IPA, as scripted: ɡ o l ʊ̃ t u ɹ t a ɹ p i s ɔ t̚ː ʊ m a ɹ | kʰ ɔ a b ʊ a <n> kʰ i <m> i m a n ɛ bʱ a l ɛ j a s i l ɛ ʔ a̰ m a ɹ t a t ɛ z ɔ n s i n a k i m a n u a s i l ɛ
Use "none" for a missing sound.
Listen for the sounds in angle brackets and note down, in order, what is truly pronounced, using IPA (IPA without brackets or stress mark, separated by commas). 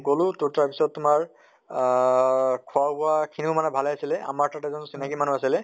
none, n